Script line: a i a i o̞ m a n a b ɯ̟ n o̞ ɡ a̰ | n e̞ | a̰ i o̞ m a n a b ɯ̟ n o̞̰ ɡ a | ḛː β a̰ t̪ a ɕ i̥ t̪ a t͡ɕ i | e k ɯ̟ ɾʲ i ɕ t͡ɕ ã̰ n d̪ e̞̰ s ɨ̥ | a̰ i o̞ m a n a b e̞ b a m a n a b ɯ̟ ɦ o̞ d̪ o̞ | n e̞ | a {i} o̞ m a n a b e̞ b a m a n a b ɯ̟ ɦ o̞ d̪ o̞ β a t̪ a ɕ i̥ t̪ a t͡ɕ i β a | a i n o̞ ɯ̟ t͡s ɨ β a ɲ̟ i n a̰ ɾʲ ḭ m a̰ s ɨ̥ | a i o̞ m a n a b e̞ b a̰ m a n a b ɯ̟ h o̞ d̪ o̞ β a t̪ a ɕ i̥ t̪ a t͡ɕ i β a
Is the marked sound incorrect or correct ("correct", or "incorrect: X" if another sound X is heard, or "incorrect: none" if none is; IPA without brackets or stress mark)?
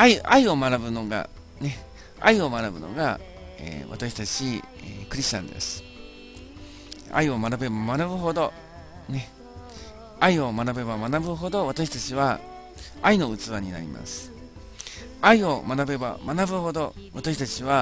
correct